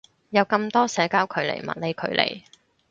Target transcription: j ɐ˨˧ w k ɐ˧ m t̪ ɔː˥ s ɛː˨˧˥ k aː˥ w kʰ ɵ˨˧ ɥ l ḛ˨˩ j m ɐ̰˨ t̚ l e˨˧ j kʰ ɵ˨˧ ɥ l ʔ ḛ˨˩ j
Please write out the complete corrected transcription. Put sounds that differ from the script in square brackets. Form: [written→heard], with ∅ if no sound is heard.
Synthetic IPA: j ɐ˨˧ w k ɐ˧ m t̪ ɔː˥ s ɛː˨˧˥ k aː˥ w kʰ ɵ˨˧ ɥ l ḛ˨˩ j m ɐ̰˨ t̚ l e˨˧ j kʰ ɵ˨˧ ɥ l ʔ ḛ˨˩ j